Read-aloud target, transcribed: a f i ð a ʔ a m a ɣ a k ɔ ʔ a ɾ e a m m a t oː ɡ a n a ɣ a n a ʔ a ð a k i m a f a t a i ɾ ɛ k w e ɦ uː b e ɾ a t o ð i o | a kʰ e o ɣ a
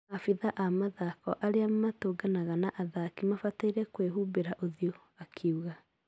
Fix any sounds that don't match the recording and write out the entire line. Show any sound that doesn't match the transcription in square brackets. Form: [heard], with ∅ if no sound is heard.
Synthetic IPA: a f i ð a ʔ a m a [ð] a k ɔ ʔ a ɾ e a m m a t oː ɡ a n a ɣ a n a ʔ a ð a k i m a f a t a i ɾ ɛ k w e ɦ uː b e ɾ a [ʔ] o ð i o | a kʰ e [u] ɣ a